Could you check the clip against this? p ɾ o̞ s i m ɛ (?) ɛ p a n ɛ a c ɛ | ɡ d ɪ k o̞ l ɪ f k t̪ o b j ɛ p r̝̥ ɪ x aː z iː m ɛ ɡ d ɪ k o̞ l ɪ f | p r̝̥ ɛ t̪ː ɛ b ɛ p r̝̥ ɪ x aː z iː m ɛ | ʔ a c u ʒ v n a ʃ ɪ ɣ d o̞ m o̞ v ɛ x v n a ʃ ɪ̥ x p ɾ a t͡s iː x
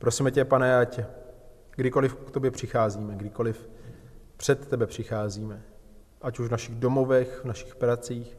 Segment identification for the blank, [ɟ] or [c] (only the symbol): c